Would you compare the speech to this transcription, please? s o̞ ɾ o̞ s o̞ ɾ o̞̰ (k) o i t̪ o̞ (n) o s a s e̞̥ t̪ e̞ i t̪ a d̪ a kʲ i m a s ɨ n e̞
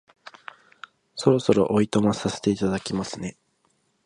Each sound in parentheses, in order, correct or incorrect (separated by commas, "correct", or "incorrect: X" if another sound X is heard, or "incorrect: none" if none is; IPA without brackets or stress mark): incorrect: ʔ, incorrect: m